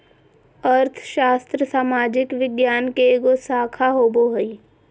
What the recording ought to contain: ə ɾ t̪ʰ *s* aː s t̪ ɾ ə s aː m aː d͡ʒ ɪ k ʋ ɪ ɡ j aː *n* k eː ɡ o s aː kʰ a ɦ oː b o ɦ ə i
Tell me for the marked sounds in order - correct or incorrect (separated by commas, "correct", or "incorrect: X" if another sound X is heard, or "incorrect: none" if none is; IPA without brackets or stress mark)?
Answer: incorrect: ʃ, correct